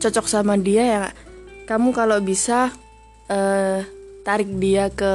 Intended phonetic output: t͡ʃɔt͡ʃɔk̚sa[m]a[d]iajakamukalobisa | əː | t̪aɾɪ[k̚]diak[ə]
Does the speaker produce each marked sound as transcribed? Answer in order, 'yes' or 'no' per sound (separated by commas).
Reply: yes, yes, yes, yes